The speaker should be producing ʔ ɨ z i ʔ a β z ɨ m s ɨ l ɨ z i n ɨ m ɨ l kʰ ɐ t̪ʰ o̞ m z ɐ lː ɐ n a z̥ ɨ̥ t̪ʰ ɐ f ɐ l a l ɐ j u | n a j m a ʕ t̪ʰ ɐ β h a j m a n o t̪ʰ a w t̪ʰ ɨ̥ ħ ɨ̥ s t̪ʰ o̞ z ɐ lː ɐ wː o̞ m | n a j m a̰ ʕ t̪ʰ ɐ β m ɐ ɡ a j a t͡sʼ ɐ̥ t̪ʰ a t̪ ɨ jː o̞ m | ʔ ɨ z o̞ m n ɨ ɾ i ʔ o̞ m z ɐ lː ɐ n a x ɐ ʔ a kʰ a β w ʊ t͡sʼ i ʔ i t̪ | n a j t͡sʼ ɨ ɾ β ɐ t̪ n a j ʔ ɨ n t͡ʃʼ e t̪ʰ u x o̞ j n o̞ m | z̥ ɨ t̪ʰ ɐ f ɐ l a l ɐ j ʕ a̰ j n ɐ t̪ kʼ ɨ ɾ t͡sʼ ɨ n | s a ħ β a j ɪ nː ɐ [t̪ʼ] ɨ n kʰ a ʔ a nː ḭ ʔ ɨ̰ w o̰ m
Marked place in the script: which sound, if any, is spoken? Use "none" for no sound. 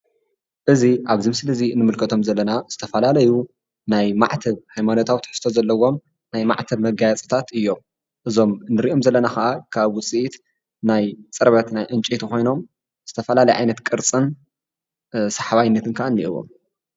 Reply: t̪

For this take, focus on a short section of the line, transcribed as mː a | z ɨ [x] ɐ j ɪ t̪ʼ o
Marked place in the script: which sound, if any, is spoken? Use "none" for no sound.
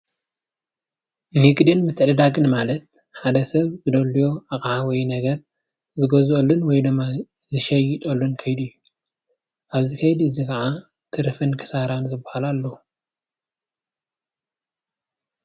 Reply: ʃ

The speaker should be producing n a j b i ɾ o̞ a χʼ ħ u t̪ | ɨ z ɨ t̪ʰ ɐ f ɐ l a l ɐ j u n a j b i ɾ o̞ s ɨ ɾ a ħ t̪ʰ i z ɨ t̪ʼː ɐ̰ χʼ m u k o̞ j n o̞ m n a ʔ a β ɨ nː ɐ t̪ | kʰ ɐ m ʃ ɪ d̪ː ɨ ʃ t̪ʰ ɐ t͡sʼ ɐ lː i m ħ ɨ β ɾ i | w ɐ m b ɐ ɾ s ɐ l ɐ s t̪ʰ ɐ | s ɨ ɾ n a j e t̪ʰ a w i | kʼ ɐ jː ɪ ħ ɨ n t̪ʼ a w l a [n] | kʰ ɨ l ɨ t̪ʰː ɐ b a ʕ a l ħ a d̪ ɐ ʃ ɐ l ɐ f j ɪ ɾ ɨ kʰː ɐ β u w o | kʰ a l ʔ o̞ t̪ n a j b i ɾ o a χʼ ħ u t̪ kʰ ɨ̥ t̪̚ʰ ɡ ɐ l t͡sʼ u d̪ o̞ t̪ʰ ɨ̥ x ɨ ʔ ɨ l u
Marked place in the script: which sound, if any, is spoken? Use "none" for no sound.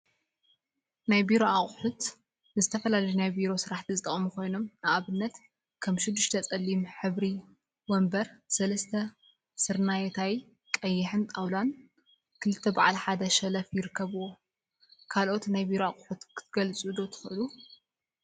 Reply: n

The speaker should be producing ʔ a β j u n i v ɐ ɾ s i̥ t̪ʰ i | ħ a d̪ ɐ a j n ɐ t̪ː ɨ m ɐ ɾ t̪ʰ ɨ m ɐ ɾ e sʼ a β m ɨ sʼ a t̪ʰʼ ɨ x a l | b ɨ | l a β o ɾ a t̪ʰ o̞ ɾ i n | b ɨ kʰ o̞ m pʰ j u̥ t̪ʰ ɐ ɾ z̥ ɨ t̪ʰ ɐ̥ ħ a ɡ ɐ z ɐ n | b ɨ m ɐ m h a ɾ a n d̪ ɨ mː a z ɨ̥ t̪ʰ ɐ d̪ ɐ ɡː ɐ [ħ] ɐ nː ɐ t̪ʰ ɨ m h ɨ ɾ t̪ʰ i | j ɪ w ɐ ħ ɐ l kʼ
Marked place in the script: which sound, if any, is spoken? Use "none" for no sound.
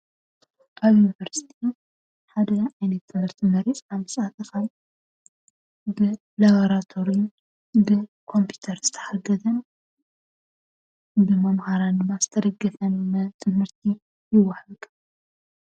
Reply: f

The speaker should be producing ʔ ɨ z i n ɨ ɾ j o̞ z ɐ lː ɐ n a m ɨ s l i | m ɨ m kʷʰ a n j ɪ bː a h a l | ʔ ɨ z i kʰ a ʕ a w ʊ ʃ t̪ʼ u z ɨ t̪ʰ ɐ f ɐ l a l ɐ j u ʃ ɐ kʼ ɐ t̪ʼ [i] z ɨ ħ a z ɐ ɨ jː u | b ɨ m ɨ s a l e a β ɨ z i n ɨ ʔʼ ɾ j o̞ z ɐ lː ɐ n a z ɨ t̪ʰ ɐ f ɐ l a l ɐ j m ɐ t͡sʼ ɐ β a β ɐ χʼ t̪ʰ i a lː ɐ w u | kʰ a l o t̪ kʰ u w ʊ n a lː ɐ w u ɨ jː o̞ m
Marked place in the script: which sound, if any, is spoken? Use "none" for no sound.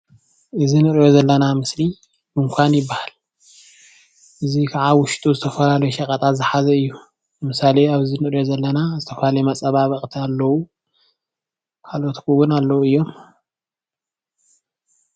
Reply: a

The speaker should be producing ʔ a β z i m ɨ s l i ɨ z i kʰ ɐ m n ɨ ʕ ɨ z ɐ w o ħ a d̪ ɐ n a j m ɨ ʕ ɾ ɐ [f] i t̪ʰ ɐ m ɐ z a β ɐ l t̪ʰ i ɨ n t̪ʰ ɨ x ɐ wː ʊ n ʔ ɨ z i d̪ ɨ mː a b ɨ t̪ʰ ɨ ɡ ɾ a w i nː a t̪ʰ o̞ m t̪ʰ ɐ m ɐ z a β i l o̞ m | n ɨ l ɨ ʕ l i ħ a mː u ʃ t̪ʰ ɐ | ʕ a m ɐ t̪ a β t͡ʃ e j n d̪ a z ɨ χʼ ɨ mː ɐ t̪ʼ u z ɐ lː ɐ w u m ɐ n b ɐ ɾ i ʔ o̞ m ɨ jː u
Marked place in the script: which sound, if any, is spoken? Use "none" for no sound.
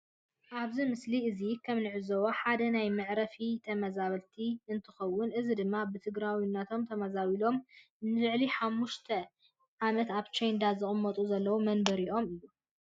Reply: f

